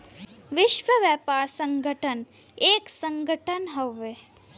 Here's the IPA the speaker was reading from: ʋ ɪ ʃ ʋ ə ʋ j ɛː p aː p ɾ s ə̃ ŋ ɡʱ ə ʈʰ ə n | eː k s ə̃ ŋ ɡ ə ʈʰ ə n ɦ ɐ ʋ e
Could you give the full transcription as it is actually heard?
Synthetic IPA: ʋ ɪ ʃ ʋ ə ʋ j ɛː p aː ɾ s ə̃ ŋ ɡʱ ə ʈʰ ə n | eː k s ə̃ ŋ ɡ ə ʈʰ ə n ɦ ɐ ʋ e

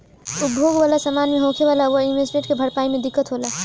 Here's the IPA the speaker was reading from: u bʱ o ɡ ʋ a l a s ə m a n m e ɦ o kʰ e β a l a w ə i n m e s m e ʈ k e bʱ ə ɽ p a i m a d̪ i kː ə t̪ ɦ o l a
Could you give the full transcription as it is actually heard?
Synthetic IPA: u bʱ o ɡ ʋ a l a s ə m a n m e ɦ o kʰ e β a l a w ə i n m e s m e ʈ k e bʱ ə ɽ p a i m e d̪ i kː ə t̪ ɦ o l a

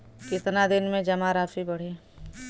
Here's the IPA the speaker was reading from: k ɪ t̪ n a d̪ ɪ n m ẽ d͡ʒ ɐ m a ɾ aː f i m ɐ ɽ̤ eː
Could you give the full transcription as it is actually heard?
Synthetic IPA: k ɪ t̪ n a d̪ ɪ n m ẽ d͡ʒ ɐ m a ɾ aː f i b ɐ ɽ̤ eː

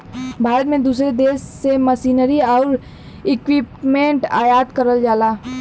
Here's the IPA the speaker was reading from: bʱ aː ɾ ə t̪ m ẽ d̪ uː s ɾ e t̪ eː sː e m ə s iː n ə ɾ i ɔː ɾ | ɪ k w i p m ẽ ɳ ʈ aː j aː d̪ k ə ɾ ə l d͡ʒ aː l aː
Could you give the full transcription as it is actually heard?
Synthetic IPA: bʱ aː ɾ ə t̪ m ẽ d̪ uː s ɾ e d̪ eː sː e m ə s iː n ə ɾ i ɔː ɾ | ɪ k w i p m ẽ ɳ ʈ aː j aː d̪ k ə ɾ ə l d͡ʒ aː l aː

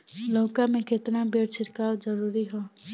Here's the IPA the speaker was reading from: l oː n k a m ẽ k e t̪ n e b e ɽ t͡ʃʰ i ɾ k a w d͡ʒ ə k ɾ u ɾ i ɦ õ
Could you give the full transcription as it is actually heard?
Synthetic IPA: l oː k a m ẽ k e t̪ n a b e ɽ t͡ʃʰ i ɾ k a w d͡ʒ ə ɾ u ɾ i ɦ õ

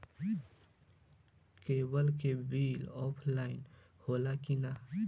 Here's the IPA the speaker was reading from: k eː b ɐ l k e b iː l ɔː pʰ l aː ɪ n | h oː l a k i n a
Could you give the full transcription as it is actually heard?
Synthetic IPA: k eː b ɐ l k e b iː l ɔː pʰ l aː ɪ n | h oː l a k i n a

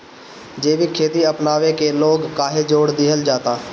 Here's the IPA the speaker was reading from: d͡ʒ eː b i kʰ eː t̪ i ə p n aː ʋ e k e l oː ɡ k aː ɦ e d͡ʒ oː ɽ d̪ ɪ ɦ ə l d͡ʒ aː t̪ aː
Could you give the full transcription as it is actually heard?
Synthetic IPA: d͡ʒ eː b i kʰ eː t̪ i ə p n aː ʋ e k e l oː ɡ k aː ɦ e d͡ʒ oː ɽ d̪ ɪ ɦ ə l d͡ʒ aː t̪ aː

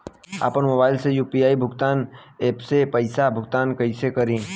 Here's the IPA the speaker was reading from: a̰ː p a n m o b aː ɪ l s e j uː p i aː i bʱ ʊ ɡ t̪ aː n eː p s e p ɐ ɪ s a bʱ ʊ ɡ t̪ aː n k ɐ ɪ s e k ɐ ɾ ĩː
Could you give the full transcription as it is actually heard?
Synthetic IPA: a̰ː p ə n m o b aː ɪ l s e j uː p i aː i bʱ ʊ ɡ t̪ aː n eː p s e p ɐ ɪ s a bʱ ʊ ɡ t̪ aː n k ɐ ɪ s e k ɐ ɾ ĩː

